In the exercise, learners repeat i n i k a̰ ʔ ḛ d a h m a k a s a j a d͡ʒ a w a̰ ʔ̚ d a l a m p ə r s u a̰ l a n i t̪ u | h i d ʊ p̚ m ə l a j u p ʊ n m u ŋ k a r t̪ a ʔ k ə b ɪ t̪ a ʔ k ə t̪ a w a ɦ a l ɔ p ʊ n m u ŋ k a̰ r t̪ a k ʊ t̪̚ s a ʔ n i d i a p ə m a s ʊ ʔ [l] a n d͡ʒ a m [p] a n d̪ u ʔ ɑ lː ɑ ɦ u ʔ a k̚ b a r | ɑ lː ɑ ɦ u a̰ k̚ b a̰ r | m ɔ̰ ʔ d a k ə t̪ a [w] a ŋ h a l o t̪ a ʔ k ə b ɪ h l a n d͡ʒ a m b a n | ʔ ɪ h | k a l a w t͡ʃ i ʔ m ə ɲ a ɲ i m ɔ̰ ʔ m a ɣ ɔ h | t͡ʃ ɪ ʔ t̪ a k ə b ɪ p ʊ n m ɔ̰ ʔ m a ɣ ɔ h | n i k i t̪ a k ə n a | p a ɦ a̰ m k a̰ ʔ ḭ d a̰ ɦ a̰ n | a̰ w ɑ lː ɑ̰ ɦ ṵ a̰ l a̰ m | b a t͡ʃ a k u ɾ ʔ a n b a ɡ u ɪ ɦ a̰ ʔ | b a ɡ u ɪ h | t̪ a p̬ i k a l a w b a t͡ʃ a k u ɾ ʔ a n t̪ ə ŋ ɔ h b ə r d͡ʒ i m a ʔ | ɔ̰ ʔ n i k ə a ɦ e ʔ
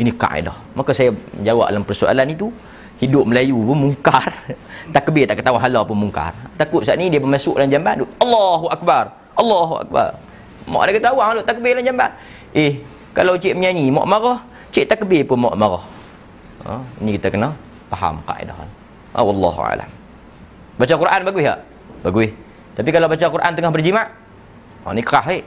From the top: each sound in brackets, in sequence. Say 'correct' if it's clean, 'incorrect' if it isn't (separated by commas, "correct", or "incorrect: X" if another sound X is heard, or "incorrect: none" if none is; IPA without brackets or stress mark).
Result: correct, incorrect: b, correct